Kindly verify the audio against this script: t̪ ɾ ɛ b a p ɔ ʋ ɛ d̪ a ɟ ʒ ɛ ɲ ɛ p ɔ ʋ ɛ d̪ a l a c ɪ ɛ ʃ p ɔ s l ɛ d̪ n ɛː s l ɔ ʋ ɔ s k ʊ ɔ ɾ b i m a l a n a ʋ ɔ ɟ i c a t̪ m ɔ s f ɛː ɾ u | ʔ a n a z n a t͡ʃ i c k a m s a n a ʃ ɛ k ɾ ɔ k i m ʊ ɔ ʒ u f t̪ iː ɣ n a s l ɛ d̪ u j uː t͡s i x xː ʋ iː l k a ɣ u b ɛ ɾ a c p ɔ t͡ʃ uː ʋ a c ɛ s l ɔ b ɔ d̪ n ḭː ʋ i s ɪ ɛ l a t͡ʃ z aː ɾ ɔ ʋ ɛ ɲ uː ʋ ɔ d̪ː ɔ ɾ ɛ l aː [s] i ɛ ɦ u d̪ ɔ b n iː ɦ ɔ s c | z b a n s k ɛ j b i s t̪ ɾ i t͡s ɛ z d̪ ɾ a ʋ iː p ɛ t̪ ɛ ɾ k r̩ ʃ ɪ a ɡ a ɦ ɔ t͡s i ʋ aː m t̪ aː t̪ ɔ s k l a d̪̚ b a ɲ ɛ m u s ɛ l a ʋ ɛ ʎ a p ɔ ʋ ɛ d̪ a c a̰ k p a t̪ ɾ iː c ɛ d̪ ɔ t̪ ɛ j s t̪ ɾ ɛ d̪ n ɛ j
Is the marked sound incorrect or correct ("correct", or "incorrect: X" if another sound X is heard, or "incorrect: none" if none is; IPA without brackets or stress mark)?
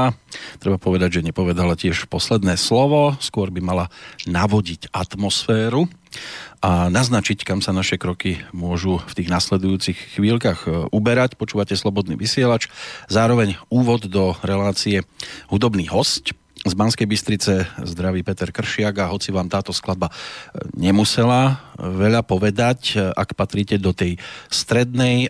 incorrect: t͡s